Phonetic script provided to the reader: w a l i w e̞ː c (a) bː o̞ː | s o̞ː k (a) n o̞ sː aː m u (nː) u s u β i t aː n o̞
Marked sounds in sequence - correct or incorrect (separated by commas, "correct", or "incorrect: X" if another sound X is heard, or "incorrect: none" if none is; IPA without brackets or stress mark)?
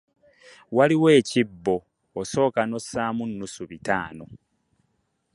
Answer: incorrect: i, correct, correct